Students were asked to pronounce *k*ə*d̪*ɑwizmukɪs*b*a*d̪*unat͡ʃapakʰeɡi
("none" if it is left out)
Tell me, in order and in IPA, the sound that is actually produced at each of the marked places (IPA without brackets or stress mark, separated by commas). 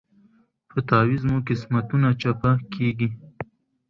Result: p, t̪, m, t̪